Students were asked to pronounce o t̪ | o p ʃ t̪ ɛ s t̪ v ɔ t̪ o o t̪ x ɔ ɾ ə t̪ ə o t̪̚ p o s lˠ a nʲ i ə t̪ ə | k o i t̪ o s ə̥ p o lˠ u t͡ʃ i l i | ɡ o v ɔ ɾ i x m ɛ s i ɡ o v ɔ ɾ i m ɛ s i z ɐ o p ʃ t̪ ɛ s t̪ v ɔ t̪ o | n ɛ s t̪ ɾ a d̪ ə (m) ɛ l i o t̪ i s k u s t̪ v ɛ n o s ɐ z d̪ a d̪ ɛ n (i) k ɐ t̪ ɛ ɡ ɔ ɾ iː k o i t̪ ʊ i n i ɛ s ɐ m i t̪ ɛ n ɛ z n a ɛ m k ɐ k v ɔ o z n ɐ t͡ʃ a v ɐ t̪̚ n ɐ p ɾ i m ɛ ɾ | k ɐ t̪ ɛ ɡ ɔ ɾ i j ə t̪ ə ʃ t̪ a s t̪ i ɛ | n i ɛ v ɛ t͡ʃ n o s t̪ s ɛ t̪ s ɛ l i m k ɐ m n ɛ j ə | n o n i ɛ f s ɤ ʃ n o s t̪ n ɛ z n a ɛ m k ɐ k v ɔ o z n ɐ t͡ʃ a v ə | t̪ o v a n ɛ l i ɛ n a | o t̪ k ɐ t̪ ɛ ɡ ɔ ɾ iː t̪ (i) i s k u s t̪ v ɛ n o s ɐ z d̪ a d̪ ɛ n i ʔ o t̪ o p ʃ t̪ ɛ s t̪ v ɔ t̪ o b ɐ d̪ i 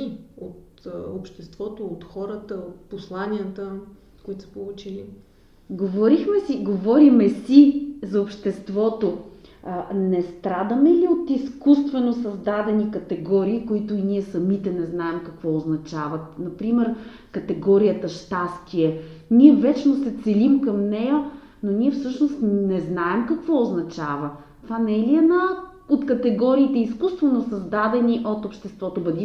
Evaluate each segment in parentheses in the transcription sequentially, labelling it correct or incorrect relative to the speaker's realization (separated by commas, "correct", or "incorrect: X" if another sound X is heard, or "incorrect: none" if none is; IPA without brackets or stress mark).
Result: correct, correct, incorrect: ɛ